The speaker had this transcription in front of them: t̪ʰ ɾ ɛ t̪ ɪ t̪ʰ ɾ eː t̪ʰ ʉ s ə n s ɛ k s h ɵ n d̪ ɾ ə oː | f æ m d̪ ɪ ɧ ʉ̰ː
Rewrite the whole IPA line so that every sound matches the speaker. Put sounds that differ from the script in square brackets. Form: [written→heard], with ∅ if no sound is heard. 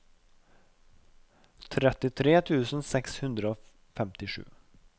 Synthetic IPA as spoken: t̪ʰ ɾ ɛ t̪ ɪ t̪ʰ ɾ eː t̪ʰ [ʉ→ʉː] s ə n s ɛ k s h ɵ n d̪ ɾ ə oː | f [æ→ɛ] m [d̪→t̪] ɪ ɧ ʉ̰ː